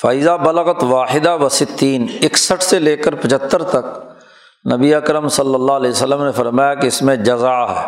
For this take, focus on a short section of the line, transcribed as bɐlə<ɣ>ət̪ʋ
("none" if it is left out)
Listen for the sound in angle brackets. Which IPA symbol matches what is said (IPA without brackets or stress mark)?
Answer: ɣ